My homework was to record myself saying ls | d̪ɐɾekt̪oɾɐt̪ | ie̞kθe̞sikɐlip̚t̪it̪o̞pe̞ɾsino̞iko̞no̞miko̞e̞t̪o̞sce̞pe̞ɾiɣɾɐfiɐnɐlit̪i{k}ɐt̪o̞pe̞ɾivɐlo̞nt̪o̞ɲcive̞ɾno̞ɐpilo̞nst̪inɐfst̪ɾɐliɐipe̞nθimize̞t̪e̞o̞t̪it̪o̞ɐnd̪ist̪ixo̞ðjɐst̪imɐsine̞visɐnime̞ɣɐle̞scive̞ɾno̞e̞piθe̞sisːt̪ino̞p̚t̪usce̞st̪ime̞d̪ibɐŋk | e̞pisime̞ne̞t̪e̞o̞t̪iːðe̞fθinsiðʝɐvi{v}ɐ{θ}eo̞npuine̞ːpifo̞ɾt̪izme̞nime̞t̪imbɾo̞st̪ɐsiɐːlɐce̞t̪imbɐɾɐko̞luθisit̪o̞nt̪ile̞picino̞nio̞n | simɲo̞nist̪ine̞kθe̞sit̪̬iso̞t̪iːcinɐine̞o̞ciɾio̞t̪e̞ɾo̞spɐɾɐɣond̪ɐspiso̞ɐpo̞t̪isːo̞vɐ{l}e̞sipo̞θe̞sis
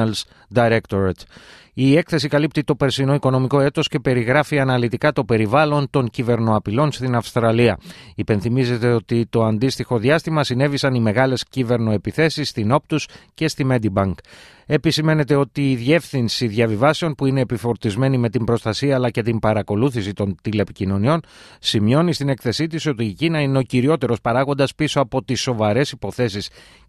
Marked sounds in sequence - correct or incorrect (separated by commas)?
correct, correct, incorrect, incorrect